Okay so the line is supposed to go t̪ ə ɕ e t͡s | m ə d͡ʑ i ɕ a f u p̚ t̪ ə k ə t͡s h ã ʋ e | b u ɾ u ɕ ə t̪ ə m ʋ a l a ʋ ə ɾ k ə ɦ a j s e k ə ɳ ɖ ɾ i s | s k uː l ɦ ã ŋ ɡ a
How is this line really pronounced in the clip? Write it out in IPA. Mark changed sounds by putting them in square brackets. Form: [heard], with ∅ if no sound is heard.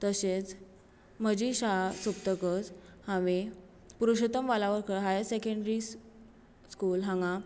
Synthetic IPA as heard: t̪ ə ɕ e t͡s | m ə d͡ʑ i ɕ a [s] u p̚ t̪ ə k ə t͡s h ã ʋ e | [p] u ɾ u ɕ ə t̪ ə m ʋ a l a ʋ ə ɾ k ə ɦ a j s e k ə ɳ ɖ ɾ i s | s k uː l ɦ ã ŋ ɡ a